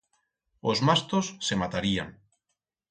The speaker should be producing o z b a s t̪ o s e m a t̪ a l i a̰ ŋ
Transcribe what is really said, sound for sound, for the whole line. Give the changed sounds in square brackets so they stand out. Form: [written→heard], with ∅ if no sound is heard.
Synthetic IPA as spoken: o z [b→m] a s t̪ o [s→sː] e m a t̪ a [l→ɾ] i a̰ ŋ